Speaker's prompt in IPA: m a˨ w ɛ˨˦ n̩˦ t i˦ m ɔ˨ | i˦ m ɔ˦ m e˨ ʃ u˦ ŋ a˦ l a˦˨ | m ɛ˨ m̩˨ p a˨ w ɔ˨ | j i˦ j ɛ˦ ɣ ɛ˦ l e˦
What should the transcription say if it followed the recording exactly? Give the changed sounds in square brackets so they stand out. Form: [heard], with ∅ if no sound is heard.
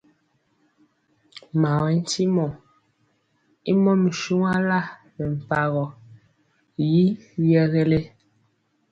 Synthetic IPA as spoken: m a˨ w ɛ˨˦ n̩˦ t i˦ m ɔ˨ | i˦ m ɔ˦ m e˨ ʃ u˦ ŋ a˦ l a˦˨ | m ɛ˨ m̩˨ p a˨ [ɣ] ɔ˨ | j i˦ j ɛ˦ ɣ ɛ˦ l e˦